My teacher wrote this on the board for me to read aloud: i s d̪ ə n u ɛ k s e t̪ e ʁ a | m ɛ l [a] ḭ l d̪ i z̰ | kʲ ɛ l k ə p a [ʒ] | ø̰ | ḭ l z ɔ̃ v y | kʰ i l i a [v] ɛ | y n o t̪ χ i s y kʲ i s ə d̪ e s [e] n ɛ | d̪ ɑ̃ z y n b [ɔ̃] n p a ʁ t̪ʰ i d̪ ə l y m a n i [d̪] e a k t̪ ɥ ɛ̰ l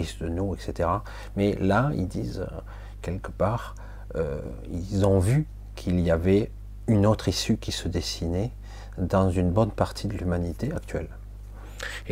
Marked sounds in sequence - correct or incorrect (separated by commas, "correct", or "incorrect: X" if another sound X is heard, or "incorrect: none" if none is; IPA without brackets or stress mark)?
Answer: correct, incorrect: ʁ, correct, incorrect: i, incorrect: ɔ, incorrect: t̪